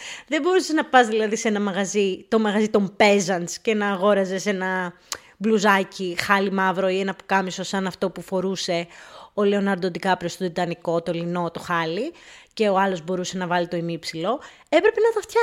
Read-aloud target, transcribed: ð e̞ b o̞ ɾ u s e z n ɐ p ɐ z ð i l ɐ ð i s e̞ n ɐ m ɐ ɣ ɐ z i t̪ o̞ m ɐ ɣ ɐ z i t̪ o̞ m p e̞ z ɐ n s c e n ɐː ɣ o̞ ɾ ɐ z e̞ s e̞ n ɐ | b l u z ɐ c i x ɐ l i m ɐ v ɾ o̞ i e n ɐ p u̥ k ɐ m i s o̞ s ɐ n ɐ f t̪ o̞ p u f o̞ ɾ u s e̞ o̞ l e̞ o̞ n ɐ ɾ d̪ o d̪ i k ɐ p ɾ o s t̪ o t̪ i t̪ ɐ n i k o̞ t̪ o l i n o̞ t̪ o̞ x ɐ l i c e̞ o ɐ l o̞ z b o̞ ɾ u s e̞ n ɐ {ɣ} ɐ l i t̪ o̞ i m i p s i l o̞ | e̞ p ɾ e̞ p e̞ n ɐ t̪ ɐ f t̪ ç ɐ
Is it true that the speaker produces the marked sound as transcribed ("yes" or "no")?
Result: no